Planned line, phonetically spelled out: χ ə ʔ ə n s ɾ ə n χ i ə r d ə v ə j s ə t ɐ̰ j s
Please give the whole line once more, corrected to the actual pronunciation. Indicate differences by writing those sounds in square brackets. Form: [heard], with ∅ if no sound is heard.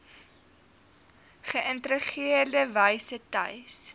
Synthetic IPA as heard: χ ə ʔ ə n [t] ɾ ə [∅] χ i ə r d ə v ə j s ə t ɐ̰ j s